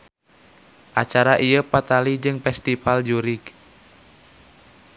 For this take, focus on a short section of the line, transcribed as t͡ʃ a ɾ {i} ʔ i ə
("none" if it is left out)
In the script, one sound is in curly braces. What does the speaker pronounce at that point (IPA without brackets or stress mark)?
a